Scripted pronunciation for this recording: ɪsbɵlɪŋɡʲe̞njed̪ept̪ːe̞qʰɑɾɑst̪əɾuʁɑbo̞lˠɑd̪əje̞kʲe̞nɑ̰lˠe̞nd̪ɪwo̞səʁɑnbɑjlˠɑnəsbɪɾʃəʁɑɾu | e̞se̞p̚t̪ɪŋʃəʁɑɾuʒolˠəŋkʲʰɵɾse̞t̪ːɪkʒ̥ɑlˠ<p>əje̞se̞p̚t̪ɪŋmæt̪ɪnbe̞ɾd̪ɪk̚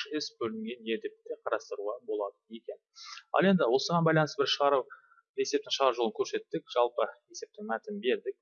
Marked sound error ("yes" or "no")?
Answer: no